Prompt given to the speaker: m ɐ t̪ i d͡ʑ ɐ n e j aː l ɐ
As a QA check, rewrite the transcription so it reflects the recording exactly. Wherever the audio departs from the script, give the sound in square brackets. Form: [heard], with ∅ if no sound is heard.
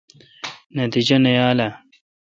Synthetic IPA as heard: [n] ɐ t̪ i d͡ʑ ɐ n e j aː l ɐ